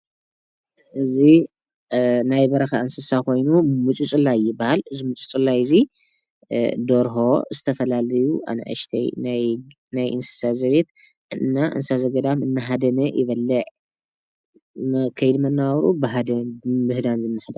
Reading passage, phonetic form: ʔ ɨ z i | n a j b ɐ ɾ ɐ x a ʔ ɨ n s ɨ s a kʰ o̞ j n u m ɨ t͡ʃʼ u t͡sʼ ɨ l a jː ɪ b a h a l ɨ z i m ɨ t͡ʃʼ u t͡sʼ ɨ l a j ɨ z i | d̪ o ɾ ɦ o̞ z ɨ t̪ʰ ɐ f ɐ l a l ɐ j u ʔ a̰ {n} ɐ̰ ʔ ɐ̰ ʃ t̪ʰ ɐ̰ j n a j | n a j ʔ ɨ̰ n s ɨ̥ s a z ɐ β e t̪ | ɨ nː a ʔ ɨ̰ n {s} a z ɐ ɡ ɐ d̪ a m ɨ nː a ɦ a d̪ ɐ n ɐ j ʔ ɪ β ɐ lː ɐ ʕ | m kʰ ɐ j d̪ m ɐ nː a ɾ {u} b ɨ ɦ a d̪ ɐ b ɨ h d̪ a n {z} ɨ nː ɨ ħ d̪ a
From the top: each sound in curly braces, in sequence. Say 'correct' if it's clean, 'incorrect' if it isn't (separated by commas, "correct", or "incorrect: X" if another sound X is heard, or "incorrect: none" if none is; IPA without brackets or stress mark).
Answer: correct, correct, correct, correct